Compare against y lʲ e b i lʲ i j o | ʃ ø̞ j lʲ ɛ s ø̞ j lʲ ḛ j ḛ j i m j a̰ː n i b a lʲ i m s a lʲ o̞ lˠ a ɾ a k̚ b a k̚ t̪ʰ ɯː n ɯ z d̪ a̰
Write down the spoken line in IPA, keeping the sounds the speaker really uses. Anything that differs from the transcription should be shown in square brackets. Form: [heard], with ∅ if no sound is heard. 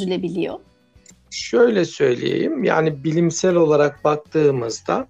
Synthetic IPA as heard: y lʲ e b i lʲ i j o | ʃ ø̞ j lʲ ɛ s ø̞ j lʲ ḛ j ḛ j i m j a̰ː n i b [i] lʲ i m s [æ] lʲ o̞ lˠ a ɾ a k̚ b a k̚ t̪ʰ ɯː [m] ɯ z d̪ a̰